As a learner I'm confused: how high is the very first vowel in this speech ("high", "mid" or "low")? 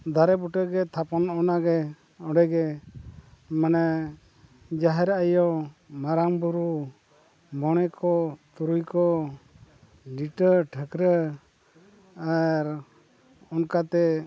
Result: low